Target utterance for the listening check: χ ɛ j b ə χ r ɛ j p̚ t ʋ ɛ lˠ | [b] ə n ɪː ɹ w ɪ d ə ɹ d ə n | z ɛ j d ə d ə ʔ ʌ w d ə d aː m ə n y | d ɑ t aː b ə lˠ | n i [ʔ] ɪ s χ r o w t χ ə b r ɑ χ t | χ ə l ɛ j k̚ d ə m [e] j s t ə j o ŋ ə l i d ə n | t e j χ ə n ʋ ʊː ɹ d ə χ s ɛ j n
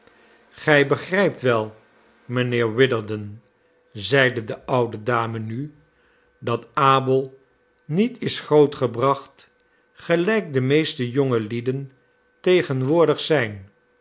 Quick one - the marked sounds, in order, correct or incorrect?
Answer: incorrect: m, incorrect: t, correct

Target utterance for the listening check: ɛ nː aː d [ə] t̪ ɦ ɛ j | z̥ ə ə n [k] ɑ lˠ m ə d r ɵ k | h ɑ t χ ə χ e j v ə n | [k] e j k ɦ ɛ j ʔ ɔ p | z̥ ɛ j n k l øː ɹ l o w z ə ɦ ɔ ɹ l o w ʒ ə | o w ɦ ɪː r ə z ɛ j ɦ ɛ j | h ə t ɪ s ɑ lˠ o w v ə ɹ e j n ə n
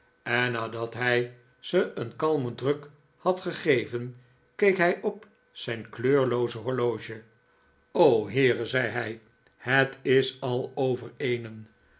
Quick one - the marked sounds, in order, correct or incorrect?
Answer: incorrect: ɑ, correct, correct

